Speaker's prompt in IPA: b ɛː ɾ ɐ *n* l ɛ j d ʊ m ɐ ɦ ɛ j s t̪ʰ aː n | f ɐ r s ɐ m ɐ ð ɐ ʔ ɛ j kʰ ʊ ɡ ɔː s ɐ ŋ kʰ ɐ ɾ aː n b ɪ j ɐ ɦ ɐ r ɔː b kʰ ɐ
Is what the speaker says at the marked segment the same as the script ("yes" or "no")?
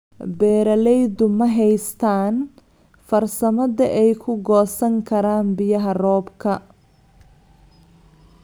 no